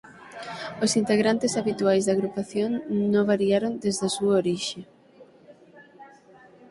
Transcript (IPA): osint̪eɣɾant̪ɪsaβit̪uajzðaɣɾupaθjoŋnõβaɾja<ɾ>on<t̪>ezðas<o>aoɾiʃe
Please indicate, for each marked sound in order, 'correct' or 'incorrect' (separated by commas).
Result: correct, incorrect, incorrect